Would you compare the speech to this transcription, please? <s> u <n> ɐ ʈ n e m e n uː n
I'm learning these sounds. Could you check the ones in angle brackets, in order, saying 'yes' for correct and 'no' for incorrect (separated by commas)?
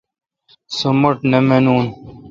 yes, no